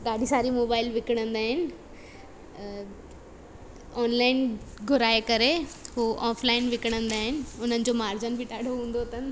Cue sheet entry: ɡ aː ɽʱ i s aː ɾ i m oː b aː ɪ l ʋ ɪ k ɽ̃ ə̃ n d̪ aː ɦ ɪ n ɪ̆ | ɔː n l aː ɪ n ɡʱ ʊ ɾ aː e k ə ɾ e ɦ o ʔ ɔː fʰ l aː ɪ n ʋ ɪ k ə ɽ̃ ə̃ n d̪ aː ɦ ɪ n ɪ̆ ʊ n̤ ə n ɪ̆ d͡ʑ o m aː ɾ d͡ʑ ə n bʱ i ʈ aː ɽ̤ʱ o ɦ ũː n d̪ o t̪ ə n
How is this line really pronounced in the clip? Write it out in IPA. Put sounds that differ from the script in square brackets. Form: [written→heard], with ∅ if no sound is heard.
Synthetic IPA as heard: ɡ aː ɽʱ i s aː ɾ i m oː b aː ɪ l ʋ ɪ k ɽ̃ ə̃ n d̪ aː ɦ ɪ n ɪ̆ | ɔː n l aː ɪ n ɡʱ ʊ ɾ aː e k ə ɾ e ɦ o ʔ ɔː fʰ l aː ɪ n ʋ ɪ k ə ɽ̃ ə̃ n d̪ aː ɦ ɪ n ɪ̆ ʊ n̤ ə n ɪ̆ d͡ʑ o m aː ɾ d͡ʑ ə n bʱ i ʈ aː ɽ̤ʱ o ɦ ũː n d̪ o t̪ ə n